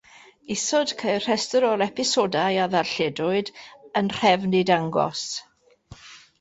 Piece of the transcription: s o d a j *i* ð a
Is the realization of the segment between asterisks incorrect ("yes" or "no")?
yes